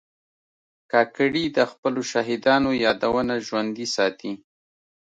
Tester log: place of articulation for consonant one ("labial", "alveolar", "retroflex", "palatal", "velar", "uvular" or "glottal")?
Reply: velar